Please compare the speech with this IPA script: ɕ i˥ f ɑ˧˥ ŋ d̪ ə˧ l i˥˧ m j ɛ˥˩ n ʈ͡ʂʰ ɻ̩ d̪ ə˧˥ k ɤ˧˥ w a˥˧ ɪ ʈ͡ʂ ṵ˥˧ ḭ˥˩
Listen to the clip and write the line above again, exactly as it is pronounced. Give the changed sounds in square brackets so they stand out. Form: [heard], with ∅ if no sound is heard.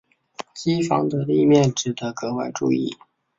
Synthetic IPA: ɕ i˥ f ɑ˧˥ ŋ d̪ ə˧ l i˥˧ m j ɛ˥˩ n [ʈ͡ʂ] ɻ̩ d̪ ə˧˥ k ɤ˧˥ w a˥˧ ɪ ʈ͡ʂ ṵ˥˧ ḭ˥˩